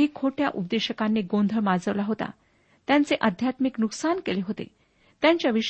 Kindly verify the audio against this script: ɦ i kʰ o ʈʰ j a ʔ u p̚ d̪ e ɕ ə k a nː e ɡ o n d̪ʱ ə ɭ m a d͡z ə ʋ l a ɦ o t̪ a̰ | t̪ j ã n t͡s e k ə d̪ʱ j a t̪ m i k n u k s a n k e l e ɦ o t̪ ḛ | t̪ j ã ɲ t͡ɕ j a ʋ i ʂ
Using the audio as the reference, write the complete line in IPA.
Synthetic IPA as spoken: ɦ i kʰ o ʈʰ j a ʔ u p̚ d̪ e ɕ ə k a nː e ɡ o n d̪ʱ ə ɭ m a d͡z ə ʋ l a ɦ o t̪ a̰ | t̪ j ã n t͡s e ʔ ə d̪ʱ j a t̪ m i k n u k s a n k e l e ɦ o t̪ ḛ | t̪ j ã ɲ t͡ɕ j a ʋ i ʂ